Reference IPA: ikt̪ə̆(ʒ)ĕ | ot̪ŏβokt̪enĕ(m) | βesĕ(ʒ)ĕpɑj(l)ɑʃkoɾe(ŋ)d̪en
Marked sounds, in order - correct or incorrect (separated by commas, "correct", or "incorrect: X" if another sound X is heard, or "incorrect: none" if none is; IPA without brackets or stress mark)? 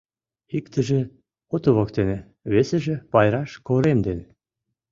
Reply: correct, incorrect: none, correct, incorrect: ɾ, incorrect: m